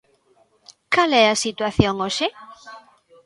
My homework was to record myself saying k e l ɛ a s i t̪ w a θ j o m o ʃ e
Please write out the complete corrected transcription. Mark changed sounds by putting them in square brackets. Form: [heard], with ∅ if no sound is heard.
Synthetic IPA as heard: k [a] l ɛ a s i t̪ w a θ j o [ŋ] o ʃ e